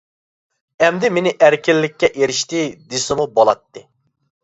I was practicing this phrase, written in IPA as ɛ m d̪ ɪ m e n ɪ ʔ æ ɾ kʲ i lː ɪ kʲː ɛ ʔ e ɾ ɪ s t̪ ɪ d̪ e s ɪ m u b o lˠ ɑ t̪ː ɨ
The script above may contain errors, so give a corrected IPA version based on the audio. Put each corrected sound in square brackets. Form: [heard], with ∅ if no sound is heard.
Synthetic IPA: ɛ m d̪ ɪ m e n ɪ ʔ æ ɾ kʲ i lː ɪ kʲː ɛ ʔ e ɾ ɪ [ʃ] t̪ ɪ d̪ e s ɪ m u b o lˠ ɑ t̪ː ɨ